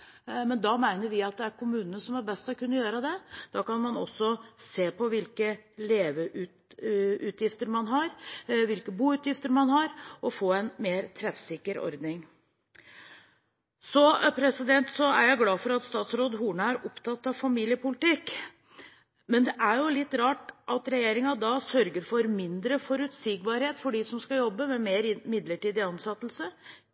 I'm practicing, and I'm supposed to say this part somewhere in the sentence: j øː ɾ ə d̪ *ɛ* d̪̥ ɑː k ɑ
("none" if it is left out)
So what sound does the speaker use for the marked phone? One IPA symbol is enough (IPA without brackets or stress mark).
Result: ɛ